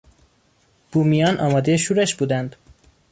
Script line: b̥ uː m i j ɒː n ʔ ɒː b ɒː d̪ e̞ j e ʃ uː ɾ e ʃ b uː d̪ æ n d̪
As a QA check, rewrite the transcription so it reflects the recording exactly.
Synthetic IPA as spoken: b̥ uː m i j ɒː n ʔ ɒː m ɒː d̪ e̞ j e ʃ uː ɾ e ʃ b uː d̪ æ n d̪